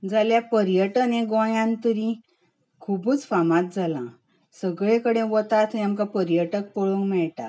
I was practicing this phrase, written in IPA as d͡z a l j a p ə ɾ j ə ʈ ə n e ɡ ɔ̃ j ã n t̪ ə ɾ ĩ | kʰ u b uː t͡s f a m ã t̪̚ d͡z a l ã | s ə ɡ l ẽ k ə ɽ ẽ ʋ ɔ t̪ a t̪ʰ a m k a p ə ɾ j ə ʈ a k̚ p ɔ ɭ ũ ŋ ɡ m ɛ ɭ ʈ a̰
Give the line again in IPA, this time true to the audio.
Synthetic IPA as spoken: d͡z a l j a p ə ɾ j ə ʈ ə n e ɡ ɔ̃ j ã n t̪ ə ɾ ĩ | kʰ u b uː t͡s f a m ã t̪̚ d͡z a l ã | s ə ɡ ɭ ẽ k ə ɽ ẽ ʋ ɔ t̪ a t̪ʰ a m k a p ə ɾ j ə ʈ ə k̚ p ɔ ɭ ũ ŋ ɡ m ɛ ɭ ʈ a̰